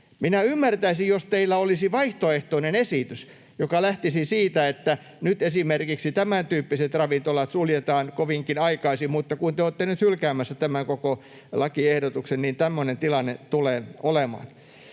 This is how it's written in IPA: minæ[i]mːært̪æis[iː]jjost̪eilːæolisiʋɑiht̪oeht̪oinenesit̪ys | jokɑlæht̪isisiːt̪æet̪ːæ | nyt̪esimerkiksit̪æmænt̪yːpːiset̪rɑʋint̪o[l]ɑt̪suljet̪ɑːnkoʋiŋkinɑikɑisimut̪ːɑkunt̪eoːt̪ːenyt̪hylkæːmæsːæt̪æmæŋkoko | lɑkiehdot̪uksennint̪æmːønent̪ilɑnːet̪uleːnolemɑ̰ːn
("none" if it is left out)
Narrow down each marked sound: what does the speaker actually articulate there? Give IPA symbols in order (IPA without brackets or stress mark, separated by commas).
y, i, l